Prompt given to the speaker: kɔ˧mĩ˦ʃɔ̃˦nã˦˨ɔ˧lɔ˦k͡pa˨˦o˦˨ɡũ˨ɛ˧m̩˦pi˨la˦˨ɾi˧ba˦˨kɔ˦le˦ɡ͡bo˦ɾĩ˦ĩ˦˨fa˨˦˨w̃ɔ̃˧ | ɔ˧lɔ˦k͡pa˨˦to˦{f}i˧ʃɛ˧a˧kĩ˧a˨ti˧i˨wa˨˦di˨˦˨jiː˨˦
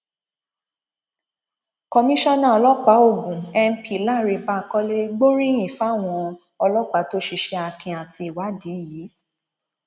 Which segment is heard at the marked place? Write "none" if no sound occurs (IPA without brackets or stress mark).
ʃ